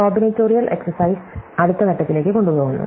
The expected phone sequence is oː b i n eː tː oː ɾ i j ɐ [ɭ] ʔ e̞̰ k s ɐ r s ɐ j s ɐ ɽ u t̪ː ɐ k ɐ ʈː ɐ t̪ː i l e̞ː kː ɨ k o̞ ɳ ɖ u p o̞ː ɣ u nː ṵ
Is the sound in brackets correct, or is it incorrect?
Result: incorrect